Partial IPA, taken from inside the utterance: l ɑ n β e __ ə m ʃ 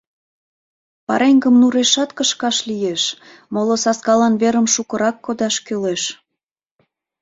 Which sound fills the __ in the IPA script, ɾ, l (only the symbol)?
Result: ɾ